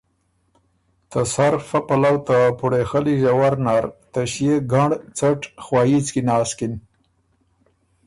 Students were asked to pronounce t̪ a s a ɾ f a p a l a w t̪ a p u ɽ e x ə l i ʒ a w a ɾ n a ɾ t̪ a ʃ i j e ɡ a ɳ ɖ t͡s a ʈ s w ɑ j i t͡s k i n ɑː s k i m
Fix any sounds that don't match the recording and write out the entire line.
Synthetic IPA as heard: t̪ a s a ɾ f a p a l a w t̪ a p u ɽ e x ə l i ʒ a w a ɾ n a ɾ t̪ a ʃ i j e ɡ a ɳ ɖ t͡s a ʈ x w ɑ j i t͡s k i n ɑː s k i n